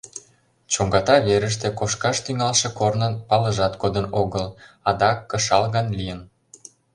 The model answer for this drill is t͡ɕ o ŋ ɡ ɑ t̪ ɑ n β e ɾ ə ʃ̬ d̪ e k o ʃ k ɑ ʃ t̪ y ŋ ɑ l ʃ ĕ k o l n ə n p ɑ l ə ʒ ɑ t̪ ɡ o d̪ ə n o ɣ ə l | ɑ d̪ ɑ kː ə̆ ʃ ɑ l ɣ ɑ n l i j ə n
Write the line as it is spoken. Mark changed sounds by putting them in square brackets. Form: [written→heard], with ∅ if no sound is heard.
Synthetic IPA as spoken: t͡ɕ o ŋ ɡ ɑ t̪ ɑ [n→∅] β e ɾ ə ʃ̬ [d̪→t̪] e k o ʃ k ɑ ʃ t̪ y ŋ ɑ l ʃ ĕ k o [l→r] n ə n p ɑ l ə ʒ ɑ t̪ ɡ o d̪ ə n o ɣ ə l | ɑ d̪ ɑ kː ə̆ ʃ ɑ l ɣ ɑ n l i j ə n